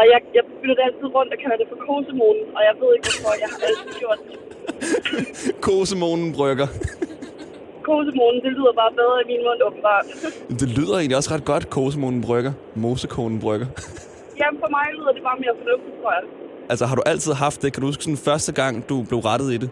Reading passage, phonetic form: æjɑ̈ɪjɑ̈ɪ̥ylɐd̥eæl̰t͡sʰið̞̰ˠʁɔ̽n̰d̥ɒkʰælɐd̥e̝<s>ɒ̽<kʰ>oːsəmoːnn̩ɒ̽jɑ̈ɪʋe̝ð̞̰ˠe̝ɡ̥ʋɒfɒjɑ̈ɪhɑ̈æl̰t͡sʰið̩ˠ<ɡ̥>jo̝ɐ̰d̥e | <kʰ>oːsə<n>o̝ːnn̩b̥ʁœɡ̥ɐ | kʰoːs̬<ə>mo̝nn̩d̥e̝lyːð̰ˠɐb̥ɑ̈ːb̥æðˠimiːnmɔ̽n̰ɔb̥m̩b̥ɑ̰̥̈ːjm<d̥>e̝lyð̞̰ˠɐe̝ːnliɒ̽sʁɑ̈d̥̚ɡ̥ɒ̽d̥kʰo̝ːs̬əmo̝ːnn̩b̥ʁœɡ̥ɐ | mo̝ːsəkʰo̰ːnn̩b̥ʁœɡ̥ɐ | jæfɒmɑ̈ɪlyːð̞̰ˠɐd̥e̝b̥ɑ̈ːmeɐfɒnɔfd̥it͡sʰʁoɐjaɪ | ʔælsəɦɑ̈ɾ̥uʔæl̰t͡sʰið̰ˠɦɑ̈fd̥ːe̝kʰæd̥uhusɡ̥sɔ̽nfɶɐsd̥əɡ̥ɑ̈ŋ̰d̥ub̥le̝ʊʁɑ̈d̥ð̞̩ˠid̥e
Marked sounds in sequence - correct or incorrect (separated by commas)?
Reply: incorrect, correct, correct, correct, incorrect, correct, correct